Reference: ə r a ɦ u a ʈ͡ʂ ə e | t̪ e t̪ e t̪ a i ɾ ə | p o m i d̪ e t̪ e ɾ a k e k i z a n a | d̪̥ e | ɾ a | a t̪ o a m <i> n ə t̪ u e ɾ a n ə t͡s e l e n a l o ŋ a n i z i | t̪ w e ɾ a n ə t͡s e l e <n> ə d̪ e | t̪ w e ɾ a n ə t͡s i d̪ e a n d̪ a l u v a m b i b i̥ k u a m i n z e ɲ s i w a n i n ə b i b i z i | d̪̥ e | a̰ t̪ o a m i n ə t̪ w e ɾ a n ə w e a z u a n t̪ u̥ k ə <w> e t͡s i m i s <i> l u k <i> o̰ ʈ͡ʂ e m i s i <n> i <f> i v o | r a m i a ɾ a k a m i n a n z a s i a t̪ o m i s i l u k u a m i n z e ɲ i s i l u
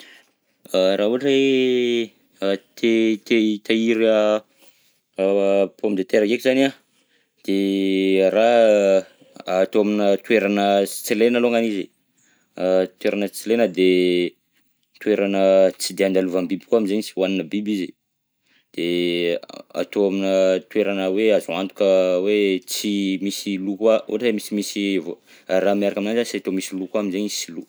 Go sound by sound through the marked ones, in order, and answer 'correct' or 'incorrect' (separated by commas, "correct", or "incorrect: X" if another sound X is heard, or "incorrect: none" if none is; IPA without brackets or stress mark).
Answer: correct, correct, correct, correct, incorrect: a, incorrect: m, incorrect: s